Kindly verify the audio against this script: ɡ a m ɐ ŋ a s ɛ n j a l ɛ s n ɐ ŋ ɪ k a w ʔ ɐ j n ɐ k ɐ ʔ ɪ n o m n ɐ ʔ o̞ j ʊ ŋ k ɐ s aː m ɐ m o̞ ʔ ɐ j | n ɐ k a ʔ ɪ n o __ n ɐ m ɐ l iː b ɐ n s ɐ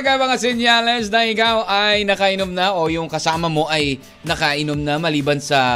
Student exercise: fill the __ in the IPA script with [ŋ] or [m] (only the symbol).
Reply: m